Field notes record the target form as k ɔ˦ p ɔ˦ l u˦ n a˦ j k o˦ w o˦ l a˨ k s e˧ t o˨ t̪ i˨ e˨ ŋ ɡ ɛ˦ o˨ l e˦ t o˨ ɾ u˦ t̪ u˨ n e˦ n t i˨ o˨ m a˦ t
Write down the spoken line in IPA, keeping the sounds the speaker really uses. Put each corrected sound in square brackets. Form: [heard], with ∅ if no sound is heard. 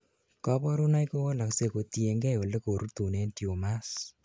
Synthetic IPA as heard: k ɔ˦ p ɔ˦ [ɾ] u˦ n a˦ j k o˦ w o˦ l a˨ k s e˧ [k] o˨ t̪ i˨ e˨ ŋ ɡ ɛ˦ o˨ l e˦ [k] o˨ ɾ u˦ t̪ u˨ n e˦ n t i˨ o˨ m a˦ [s]